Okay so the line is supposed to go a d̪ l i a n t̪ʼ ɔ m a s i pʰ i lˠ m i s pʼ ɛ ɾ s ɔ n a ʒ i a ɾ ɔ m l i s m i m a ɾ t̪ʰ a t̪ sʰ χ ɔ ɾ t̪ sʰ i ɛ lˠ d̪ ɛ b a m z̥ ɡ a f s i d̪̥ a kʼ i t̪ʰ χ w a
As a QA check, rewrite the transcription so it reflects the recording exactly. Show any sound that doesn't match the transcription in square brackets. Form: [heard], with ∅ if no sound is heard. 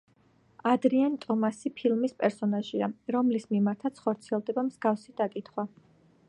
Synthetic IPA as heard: a d̪ [ɾ] i a n t̪ʼ ɔ m a s i pʰ i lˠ m i s pʼ ɛ ɾ s ɔ n a ʒ i a ɾ ɔ m l i s m i m a ɾ t̪ʰ a t̪ sʰ χ ɔ ɾ t̪ sʰ i ɛ lˠ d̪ ɛ b a m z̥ ɡ a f s i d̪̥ a kʼ i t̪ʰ χ w a